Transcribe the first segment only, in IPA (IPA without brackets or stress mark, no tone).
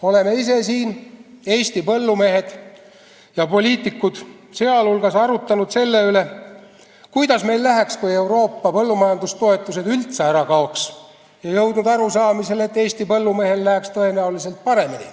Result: o̞